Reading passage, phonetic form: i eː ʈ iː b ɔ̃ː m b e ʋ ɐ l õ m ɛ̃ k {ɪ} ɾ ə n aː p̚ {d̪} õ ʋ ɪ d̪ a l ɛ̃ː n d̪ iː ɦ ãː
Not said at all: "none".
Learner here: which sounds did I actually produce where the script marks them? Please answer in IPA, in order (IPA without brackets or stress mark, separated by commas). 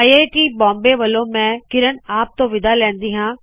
ɪ, t̪